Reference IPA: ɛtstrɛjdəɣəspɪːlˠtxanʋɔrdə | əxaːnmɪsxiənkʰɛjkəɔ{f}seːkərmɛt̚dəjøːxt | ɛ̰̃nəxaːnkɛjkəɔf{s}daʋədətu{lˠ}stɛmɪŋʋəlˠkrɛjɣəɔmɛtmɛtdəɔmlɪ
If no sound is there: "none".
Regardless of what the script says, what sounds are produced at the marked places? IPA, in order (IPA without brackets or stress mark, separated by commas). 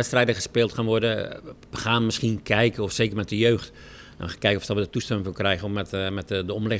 f, s, none